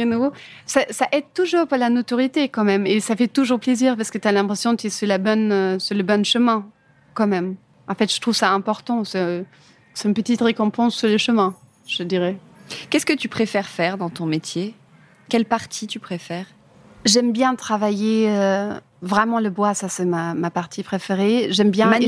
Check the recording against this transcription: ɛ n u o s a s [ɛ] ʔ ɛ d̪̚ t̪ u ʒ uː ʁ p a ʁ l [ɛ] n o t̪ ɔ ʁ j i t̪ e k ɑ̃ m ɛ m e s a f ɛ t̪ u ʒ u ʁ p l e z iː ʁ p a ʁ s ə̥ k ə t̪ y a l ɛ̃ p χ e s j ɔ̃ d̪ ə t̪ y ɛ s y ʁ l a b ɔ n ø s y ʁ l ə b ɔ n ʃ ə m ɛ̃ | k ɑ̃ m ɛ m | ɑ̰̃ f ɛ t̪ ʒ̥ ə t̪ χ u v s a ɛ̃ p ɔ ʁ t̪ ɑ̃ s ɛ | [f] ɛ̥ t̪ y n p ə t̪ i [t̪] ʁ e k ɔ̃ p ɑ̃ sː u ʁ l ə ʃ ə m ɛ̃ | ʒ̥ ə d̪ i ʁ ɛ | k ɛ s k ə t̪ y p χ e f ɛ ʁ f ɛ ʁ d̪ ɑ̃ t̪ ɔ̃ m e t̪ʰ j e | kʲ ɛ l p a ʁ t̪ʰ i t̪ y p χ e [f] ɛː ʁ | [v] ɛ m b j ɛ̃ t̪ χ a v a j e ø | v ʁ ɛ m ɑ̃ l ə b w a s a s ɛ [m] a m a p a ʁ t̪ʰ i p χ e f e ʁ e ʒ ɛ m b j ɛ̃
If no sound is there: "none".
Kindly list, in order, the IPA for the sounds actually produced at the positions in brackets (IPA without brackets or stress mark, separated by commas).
a, a, s, t̪, f, ʒ, m